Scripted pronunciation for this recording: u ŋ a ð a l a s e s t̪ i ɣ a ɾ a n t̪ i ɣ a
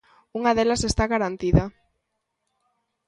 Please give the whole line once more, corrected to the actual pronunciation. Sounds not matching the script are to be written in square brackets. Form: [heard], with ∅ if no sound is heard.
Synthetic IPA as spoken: u ŋ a ð [e] l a s e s t̪ [a] ɣ a ɾ a n t̪ i [ð] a